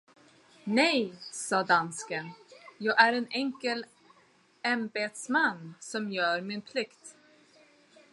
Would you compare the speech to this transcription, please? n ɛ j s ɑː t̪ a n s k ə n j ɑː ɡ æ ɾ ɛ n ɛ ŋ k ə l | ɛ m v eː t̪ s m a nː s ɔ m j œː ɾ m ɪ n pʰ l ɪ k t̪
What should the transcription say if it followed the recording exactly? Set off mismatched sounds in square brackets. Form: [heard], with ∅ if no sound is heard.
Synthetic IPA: n ɛ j s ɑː [d̪] a n s k ə n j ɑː ɡ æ ɾ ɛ n ɛ ŋ k ə l | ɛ m [b] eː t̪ s m a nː s ɔ m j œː ɾ m ɪ n pʰ l ɪ k t̪